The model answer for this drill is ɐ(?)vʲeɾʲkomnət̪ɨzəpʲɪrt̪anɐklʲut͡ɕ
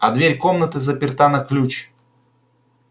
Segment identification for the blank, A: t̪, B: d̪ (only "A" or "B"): B